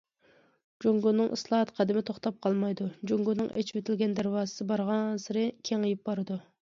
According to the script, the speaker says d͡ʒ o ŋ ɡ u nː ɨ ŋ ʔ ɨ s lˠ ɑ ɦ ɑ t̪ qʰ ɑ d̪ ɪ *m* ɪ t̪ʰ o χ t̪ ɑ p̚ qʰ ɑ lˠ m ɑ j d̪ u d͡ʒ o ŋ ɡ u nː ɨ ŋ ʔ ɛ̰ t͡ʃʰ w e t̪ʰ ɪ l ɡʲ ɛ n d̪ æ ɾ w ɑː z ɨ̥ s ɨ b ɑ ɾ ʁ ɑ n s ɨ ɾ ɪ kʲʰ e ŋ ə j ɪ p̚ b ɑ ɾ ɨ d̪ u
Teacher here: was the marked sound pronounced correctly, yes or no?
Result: yes